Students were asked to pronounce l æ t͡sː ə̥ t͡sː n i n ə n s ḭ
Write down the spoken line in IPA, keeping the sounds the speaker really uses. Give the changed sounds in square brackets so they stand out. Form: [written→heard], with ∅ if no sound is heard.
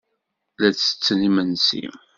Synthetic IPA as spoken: l æ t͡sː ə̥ t͡sː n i [n→m] ə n s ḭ